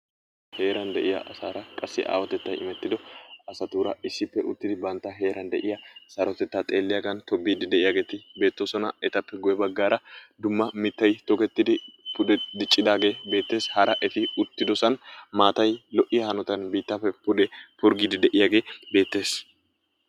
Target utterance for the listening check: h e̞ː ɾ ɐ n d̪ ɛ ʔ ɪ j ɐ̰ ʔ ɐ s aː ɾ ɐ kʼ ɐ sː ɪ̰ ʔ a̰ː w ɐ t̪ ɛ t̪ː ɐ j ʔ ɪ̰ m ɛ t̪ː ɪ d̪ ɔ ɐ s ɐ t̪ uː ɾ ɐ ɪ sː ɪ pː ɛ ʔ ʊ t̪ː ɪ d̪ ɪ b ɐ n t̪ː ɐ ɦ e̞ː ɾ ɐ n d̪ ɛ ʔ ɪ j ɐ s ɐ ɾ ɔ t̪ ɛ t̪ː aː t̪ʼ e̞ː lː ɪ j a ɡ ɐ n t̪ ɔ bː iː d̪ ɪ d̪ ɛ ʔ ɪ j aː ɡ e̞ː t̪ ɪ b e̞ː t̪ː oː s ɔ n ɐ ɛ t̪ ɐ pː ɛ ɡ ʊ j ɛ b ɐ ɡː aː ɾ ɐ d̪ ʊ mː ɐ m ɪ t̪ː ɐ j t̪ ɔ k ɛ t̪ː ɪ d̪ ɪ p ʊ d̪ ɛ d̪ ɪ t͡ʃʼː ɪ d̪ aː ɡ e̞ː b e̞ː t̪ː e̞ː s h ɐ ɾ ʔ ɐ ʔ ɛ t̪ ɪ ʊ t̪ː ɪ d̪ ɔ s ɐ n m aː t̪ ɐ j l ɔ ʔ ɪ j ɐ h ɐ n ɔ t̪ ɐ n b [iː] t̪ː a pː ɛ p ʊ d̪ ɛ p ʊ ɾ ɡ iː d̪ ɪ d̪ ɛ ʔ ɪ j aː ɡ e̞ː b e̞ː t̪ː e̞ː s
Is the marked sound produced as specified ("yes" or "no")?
yes